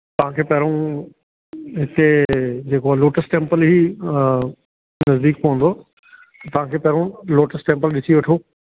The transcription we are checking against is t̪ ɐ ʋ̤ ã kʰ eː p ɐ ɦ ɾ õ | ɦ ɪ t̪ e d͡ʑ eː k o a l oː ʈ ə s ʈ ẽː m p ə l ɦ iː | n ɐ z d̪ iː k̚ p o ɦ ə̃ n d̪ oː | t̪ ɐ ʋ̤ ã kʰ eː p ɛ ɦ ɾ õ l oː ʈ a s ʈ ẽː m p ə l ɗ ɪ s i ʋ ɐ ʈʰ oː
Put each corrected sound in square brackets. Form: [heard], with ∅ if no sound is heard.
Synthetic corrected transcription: t̪ ɐ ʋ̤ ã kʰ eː p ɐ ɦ ɾ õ | ɦ ɪ t̪ e d͡ʑ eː k o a l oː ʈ ə s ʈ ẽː m p ə l ɦ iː | n ɐ z d̪ iː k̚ p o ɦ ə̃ n d̪ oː | t̪ ɐ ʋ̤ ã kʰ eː p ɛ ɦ ɾ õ l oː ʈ [ə] s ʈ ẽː m p ə l ɗ ɪ s i ʋ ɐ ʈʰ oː